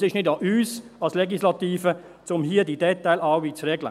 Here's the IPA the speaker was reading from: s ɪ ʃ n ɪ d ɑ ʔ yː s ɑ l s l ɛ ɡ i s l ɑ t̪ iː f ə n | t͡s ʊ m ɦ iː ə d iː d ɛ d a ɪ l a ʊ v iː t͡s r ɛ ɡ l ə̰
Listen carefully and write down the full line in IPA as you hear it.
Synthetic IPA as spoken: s ɪ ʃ n ɪ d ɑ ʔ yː s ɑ l s l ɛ ɡ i s l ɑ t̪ iː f ə | t͡s ʊ m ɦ iː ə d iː d ɛ t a ɪ l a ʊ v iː t͡s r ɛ ɡ l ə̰